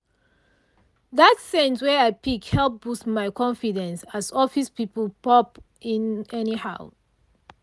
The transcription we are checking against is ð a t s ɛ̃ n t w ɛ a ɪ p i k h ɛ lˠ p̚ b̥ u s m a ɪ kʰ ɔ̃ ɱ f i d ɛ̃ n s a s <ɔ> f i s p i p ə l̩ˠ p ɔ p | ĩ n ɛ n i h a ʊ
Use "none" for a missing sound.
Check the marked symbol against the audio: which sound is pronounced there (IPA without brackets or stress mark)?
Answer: ɔ